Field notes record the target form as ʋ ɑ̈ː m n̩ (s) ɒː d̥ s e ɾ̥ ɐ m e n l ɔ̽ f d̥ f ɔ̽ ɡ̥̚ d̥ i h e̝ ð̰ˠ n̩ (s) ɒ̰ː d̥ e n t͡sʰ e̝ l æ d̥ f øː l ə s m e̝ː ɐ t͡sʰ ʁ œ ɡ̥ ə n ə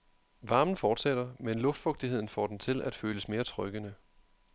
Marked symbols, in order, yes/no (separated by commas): no, no